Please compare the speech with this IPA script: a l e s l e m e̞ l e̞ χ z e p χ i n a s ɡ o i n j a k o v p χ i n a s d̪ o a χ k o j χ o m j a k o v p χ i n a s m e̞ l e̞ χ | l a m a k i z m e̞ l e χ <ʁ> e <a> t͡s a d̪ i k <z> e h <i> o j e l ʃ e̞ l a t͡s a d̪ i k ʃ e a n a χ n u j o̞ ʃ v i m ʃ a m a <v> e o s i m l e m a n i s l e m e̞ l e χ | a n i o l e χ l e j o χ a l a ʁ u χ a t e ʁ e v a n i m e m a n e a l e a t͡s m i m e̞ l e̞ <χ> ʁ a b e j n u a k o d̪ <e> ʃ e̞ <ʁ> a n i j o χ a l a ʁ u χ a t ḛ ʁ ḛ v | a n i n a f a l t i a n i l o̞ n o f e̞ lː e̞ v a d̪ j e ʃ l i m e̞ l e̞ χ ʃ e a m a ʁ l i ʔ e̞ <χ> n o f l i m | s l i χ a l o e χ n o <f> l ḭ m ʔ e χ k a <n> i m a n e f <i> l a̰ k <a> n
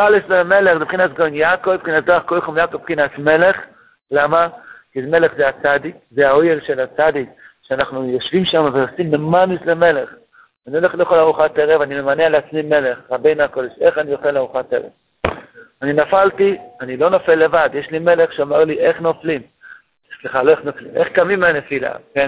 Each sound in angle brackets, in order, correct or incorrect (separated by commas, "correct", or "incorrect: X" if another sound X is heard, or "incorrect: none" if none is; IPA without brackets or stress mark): incorrect: z, correct, correct, incorrect: a, correct, correct, correct, incorrect: χ, correct, correct, incorrect: m, correct, incorrect: e